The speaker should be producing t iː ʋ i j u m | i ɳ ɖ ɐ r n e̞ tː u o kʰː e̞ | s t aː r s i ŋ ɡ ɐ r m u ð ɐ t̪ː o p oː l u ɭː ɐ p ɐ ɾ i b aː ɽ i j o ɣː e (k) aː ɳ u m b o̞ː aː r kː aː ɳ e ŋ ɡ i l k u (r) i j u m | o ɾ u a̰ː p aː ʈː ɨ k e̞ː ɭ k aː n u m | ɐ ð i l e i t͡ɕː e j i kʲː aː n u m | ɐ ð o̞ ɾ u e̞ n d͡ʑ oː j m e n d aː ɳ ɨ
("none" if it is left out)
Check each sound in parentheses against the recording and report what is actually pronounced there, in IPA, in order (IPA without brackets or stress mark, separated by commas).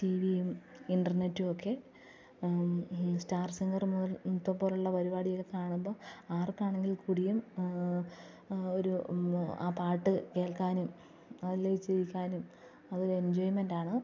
k, ɽ